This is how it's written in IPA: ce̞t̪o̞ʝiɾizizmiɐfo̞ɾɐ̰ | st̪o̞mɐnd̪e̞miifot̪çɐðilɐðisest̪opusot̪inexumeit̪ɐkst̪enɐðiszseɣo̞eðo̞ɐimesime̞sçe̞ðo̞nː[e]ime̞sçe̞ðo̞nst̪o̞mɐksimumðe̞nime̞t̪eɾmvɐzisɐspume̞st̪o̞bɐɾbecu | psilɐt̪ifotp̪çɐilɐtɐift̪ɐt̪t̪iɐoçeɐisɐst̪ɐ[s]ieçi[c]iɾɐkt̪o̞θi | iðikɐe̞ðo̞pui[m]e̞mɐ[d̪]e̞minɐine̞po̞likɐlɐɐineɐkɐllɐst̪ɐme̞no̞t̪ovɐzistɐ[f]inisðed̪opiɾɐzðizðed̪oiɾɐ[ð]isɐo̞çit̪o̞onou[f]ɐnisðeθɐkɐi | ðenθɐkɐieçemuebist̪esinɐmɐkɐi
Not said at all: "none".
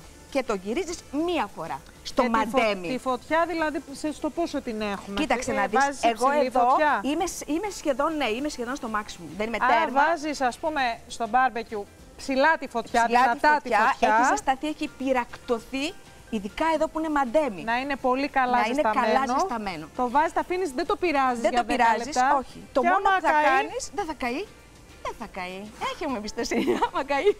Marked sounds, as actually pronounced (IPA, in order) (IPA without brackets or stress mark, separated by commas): e, θ, p, n, d̪, f, z, θ